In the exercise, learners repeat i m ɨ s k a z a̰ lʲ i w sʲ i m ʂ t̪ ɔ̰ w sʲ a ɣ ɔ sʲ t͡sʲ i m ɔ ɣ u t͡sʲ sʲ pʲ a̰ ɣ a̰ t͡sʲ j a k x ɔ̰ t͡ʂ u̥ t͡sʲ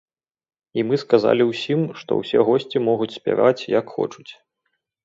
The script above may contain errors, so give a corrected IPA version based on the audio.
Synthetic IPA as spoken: i m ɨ s k a z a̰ lʲ i w sʲ i m ʂ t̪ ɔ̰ w sʲ ɛ ɣ ɔ sʲ t͡sʲ i m ɔ ɣ u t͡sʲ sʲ pʲ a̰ v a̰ t͡sʲ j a k x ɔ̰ t͡ʂ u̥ t͡sʲ